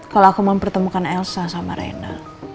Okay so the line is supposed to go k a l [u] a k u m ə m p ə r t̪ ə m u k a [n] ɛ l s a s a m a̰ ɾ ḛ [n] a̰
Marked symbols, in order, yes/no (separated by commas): no, yes, yes